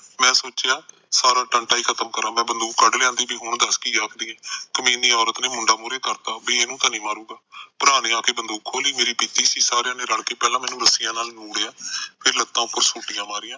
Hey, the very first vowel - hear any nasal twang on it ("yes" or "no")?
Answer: yes